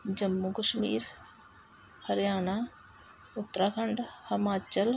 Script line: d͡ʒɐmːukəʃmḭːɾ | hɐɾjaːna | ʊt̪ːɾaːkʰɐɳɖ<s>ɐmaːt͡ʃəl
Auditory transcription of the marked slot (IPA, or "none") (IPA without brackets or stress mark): h